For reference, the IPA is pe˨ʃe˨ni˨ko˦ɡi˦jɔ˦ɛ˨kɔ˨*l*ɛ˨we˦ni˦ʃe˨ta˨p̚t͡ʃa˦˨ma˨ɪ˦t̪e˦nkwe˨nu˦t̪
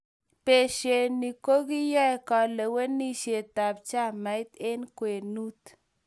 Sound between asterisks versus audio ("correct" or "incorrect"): correct